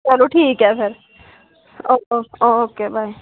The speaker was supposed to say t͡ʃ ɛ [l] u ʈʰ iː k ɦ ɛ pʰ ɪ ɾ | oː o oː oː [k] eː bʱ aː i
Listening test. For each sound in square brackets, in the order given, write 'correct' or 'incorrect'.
correct, correct

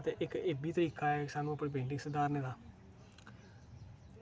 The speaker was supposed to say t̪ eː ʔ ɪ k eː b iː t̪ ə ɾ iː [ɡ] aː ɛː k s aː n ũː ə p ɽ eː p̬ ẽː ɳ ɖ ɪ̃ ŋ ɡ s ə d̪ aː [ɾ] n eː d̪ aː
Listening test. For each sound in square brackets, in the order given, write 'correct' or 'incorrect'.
incorrect: k, correct

